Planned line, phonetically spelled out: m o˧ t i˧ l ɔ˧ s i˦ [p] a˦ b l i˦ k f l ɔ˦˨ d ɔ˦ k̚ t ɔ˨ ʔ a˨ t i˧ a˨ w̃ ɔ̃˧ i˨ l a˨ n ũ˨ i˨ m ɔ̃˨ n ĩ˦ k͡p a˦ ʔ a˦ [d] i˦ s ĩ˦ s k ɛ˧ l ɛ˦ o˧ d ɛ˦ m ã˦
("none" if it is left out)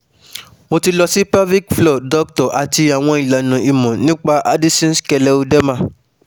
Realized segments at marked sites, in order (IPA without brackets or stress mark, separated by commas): p, d